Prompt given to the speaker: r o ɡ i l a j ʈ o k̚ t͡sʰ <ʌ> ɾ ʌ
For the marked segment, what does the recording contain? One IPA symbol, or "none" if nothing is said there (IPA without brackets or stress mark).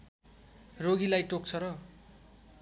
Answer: ʌ